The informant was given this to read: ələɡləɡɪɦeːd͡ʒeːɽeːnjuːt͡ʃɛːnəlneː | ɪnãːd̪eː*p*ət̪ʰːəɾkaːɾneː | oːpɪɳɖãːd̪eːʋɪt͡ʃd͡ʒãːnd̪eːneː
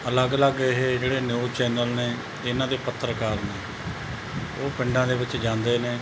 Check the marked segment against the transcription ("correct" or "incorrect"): correct